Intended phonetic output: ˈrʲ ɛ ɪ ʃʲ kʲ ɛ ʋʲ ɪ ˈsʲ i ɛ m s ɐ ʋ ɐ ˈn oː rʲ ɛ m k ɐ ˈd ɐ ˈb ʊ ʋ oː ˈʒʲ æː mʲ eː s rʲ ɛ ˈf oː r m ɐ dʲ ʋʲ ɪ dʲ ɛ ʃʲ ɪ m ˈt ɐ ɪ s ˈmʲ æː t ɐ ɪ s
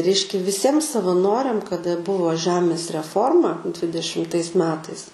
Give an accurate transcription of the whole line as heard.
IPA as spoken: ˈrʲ ɛ ɪ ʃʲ kʲ ɛ ʋʲ ɪ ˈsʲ i ɛ m s ɐ ʋ ɐ ˈn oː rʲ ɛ m k ɐ ˈd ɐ ˈb ʊ ʋ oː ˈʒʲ æː mʲ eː s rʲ ɛ ˈf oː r m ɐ dʲ ʋʲ ɪ dʲ ɛ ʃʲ ɪ m ˈt ɐ ɪ s ˈmʲ æː t ɐ ɪ s